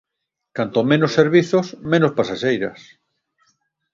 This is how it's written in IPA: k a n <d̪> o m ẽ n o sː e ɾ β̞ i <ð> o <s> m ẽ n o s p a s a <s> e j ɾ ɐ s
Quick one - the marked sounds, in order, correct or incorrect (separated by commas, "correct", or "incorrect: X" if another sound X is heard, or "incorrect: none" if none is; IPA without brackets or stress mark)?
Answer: incorrect: t̪, incorrect: θ, correct, incorrect: ʃ